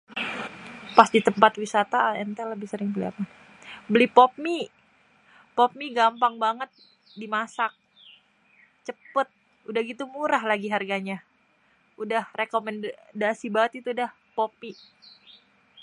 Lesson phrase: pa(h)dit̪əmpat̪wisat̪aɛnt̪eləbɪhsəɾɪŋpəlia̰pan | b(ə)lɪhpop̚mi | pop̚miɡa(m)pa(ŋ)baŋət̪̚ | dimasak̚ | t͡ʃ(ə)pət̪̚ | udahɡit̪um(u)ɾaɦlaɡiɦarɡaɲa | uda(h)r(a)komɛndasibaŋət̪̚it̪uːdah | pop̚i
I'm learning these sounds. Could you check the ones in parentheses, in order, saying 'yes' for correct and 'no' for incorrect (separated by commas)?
no, yes, yes, yes, yes, yes, yes, no